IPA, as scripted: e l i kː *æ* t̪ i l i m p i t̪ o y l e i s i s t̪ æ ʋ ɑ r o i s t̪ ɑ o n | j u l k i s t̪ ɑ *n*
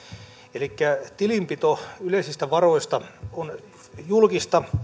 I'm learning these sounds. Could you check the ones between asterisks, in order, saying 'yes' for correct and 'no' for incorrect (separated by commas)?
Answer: yes, no